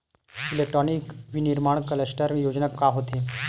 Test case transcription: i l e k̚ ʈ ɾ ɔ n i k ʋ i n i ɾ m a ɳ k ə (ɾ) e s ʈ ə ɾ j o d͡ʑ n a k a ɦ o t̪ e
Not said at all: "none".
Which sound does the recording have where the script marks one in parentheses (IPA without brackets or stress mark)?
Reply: l